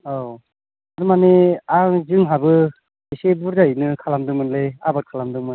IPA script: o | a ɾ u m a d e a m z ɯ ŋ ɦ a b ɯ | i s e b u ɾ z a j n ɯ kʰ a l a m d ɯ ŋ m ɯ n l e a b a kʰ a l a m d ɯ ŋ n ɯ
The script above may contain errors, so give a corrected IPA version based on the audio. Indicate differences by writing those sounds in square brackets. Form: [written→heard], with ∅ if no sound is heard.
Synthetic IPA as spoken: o | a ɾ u m a [d→n] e a [m→ŋ] z ɯ ŋ ɦ a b ɯ | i s e b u ɾ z a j n ɯ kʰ a l a m d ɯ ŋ m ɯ n l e a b a kʰ a l a m d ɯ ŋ [n→m] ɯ